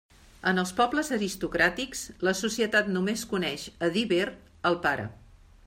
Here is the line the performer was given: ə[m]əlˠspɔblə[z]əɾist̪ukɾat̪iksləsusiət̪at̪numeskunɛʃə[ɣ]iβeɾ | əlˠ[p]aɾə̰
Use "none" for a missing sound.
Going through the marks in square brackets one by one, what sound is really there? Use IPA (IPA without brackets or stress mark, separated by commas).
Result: n, z, ð, p